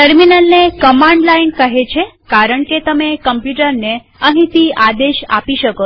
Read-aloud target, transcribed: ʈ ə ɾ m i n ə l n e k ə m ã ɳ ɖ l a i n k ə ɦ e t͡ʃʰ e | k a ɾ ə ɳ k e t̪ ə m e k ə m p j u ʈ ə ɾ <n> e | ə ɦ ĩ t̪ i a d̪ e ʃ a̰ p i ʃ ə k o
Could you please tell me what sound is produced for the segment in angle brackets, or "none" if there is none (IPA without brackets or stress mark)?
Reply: n